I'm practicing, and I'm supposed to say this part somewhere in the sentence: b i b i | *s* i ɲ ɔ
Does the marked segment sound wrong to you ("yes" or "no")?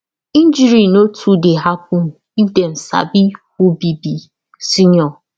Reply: no